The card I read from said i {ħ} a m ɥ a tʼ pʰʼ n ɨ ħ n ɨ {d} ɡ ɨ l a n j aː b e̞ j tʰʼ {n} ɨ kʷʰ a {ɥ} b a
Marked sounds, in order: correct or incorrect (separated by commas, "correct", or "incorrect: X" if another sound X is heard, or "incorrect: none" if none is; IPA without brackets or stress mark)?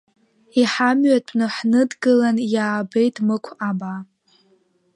correct, correct, incorrect: m, incorrect: none